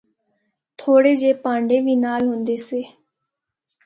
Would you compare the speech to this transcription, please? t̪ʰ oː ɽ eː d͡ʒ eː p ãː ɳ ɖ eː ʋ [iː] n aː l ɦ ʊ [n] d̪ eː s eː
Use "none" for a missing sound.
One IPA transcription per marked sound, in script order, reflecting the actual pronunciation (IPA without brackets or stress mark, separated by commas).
iː, n